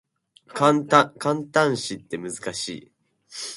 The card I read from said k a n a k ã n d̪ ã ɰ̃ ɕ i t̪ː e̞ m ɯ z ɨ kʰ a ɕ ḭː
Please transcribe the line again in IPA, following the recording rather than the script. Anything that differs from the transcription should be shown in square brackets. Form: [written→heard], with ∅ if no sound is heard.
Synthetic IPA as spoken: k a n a k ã n [d̪→t̪] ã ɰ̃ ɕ i t̪ː e̞ m ɯ z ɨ [kʰ→k] a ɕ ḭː